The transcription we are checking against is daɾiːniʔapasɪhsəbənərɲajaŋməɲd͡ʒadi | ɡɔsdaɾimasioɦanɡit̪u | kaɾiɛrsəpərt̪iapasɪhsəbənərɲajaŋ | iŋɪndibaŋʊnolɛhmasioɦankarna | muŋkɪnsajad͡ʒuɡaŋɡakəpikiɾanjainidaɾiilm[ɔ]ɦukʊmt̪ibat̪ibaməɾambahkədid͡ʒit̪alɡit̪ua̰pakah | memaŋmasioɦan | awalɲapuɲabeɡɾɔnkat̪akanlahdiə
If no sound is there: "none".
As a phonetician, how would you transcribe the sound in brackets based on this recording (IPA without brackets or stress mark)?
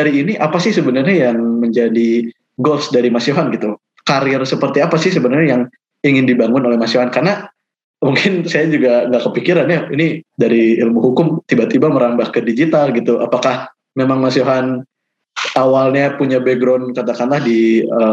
u